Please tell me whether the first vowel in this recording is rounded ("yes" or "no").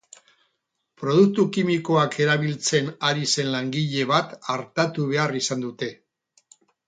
yes